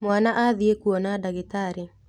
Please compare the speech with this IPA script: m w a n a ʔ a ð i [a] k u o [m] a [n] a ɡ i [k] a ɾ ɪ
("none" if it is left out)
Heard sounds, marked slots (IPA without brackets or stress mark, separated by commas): e, n, d, t